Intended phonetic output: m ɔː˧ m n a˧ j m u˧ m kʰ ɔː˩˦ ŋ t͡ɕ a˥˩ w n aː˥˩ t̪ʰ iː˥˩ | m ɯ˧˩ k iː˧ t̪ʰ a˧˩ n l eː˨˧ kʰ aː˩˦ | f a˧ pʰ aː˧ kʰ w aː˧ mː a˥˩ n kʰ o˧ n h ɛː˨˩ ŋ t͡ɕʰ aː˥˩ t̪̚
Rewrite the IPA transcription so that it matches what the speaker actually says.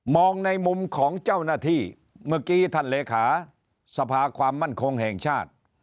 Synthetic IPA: m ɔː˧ ŋ n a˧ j m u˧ m kʰ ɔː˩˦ ŋ t͡ɕ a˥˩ w n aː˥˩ t̪ʰ iː˥˩ | m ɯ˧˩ k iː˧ t̪ʰ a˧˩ n l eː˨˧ kʰ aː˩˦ | s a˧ pʰ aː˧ kʰ w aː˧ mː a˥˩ n kʰ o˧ ŋ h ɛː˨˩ ŋ t͡ɕʰ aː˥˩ t̪̚